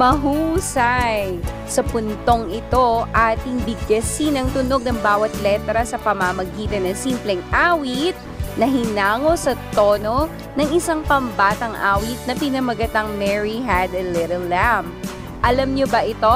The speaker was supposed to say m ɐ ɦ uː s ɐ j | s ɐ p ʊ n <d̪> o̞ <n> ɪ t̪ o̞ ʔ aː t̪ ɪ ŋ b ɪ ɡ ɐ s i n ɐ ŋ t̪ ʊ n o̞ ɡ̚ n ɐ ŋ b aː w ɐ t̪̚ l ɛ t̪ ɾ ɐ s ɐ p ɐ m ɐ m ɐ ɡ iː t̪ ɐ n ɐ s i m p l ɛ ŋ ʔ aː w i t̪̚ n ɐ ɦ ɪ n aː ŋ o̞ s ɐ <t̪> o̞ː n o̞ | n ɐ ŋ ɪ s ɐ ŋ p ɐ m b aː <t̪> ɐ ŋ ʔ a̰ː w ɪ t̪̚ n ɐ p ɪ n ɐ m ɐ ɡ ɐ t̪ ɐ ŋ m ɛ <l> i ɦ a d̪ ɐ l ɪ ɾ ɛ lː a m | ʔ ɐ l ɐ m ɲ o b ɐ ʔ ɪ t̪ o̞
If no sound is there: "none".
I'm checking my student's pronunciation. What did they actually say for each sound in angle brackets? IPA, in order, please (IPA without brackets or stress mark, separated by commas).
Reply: t̪, ŋ, t̪, t̪, ɹ